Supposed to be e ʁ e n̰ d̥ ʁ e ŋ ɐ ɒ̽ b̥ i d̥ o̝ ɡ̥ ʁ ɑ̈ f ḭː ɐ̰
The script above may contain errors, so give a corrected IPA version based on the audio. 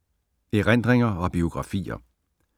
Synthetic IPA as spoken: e ʁ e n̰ d̥ ʁ e ŋ ɐ ɒ̽ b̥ i o̝ ɡ̥ ʁ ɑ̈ f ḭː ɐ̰